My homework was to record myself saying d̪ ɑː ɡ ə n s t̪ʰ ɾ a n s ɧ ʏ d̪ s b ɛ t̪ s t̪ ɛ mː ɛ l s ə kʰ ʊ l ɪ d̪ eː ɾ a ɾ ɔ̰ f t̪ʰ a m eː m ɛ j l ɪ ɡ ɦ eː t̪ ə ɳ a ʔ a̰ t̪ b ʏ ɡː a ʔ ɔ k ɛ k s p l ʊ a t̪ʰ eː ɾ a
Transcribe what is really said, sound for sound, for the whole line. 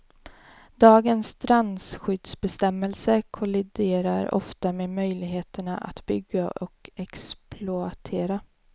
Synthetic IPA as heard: d̪ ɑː ɡ ə n s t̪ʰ ɾ a n s ɧ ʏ d̪ s b ɛ s t̪ ɛ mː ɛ l s ə kʰ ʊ l ɪ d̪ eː ɾ a ɾ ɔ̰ f t̪ a m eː m œ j l ɪ ɡ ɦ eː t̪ ə ɳ a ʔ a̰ t̪ b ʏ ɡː a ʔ ɔ k ɛ k s p l ʊ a t̪ʰ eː ɾ a